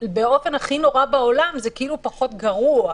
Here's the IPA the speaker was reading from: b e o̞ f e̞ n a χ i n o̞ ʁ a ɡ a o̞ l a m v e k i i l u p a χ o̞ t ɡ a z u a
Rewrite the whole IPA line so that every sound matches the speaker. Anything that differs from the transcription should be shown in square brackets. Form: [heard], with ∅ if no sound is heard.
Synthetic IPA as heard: b e o̞ f e̞ n a χ i n o̞ ʁ a [b] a o̞ l a m [z] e k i i l u p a χ o̞ t ɡ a [ʁ] u a